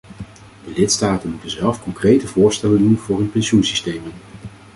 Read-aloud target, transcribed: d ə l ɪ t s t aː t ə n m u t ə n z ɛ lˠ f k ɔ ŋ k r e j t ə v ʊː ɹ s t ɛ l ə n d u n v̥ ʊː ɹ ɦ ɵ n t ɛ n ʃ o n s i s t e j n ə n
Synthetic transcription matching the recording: d ə l ɪ t s t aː t ə n m u t ə n z ɛ lˠ f k ɔ ŋ k r e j t ə v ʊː ɹ s t ɛ l ə n d u n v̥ ʊː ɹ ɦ ɵ n p ɛ n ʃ u n s i s t e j m ə n